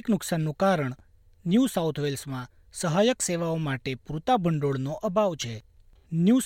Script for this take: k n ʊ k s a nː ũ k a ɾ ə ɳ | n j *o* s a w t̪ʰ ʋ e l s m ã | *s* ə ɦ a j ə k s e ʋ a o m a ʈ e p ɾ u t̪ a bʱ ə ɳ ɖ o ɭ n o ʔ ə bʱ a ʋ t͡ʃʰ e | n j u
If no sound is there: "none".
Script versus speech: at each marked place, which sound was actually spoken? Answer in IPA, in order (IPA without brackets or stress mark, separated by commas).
u, s